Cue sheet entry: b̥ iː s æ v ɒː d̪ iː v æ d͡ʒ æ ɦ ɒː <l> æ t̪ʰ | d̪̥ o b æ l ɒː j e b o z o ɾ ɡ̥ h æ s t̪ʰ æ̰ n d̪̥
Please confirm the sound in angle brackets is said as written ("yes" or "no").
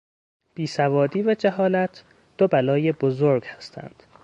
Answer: yes